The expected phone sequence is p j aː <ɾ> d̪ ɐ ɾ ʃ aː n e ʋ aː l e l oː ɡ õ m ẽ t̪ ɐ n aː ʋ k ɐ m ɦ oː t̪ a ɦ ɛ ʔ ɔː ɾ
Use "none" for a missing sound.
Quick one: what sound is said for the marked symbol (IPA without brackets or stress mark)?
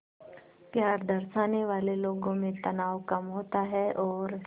ɾ